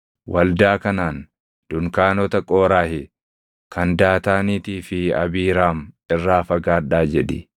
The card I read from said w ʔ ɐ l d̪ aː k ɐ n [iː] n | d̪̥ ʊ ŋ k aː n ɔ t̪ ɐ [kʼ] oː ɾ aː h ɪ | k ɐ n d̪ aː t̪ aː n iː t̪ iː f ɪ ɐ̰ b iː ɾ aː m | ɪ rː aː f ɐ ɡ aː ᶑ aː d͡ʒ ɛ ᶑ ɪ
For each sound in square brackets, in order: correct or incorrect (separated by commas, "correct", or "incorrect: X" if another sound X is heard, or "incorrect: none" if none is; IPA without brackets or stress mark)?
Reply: incorrect: aː, correct